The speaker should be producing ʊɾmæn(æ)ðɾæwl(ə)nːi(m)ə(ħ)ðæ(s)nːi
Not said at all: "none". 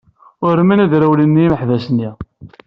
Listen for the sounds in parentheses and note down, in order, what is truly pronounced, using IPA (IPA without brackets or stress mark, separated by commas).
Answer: æ, ə, m, ħ, s